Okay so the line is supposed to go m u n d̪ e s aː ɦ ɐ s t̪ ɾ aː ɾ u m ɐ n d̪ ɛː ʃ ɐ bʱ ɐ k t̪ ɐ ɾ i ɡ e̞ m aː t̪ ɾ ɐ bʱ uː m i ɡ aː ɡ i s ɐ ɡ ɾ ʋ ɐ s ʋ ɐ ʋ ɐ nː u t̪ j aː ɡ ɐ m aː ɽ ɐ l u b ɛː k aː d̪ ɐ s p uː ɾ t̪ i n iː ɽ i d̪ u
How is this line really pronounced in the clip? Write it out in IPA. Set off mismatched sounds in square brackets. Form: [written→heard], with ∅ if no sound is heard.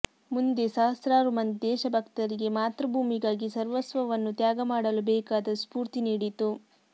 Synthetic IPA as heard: m u n d̪ e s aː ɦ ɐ s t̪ ɾ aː ɾ u m ɐ n d̪ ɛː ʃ ɐ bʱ ɐ k t̪ ɐ ɾ i ɡ e̞ m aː t̪ ɾ ɐ bʱ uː m i ɡ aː ɡ i s ɐ [ɡ→∅] ɾ ʋ ɐ s ʋ ɐ ʋ ɐ nː u t̪ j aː ɡ ɐ m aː ɽ ɐ l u b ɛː k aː d̪ ɐ s p uː ɾ t̪ i n iː ɽ i [d̪→t̪] u